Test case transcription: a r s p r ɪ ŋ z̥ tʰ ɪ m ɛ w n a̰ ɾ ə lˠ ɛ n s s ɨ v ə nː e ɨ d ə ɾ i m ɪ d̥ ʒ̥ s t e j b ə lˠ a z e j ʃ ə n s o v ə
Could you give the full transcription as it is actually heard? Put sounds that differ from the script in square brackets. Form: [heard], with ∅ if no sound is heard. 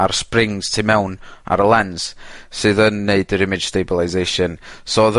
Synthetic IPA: a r s p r ɪ ŋ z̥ tʰ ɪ m ɛ w n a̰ ɾ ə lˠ ɛ n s s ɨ [ð] ə nː e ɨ d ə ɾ [ɪ] m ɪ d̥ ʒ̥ s t e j b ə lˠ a z e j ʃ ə n s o [ð] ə